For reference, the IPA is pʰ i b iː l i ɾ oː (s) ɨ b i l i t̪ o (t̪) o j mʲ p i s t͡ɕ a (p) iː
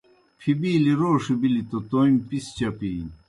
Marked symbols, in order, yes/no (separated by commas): no, yes, yes